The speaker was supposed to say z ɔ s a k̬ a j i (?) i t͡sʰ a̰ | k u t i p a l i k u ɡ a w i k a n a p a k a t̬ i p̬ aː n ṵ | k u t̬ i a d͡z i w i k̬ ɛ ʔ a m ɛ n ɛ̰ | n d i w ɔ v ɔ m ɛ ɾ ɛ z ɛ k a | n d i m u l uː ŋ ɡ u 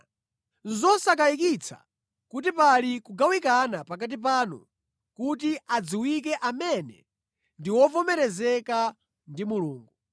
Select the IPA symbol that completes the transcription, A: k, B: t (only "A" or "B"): A